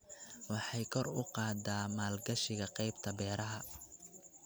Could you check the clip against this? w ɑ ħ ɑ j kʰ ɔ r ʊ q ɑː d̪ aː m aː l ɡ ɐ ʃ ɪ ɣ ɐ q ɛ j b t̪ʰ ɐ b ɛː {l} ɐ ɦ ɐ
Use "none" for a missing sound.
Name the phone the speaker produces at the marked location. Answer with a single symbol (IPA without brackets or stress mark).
ɾ